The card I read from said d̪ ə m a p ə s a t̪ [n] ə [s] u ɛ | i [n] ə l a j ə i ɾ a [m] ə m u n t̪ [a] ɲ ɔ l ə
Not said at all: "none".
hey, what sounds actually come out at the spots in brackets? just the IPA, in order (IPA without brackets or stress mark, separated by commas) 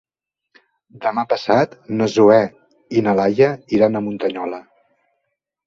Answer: n, z, n, n, ə